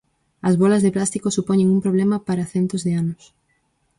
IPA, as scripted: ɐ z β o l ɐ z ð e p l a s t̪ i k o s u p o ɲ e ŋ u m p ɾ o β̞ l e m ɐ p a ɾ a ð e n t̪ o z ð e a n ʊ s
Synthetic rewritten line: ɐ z β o l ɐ z ð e p l a s t̪ i k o s u p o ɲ e ŋ u m p ɾ o β̞ l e m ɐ p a ɾ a θ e n t̪ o z ð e a n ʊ s

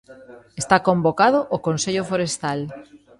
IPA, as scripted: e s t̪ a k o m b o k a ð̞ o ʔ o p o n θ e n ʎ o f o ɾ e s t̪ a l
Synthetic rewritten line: e s t̪ a k o m b o k a ð̞ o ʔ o k o n s e ʎ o f o ɾ e s t̪ a l

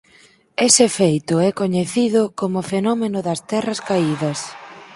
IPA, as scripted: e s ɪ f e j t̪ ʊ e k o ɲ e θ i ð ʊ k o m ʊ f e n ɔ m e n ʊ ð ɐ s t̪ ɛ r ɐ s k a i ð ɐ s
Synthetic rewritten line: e s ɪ f e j t̪ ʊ ɛ k o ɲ e θ i ð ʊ k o m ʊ f e n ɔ m e n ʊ ð ɐ s t̪ ɛ r ɐ s k a i ð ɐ s

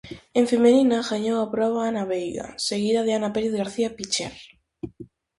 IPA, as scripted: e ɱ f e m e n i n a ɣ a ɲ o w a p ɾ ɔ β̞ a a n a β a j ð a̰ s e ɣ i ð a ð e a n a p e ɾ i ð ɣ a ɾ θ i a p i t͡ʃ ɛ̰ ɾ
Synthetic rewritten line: e ɱ f e m e n i n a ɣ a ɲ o w a p ɾ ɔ β̞ a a n a β e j ɣ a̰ s e ɣ i ð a ð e a n a p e ɾ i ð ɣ a ɾ θ i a p i t͡ʃ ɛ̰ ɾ

